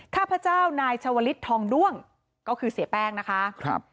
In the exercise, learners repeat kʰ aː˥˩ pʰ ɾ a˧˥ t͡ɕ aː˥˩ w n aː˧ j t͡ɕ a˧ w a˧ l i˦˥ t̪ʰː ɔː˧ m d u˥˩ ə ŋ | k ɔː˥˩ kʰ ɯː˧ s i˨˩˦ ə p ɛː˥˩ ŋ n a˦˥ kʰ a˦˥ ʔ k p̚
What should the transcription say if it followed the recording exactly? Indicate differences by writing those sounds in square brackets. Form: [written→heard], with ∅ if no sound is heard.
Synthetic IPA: kʰ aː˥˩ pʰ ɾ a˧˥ t͡ɕ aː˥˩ w n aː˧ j [t͡ɕ→t͡ɕʰ] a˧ w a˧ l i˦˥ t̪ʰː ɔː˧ [m→ŋ] d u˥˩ ə ŋ | k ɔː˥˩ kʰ ɯː˧ s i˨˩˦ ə p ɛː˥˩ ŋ n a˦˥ kʰ a˦˥ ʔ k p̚